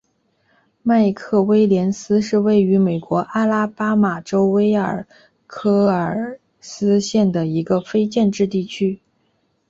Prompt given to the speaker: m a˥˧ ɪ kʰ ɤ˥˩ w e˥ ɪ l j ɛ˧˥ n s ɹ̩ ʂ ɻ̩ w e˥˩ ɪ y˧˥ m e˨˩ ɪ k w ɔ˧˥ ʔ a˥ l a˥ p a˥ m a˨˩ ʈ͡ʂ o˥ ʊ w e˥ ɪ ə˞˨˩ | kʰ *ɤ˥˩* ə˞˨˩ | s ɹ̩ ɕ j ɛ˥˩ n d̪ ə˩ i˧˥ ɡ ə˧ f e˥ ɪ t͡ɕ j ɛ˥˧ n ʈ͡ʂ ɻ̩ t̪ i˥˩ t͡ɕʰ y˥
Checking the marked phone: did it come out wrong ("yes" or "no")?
yes